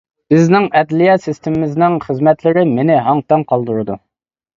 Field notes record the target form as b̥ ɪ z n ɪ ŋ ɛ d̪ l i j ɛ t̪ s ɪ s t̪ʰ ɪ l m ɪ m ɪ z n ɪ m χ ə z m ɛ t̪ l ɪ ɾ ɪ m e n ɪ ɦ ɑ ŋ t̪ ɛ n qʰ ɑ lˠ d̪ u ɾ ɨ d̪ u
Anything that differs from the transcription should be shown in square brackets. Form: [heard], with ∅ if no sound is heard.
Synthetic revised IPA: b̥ ɪ z n ɪ ŋ ɛ d̪ l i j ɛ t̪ s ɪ s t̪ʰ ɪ [∅] m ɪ m ɪ z n ɪ [ŋ] χ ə z m ɛ t̪ l ɪ ɾ ɪ m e n ɪ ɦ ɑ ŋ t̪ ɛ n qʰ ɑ lˠ d̪ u ɾ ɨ d̪ u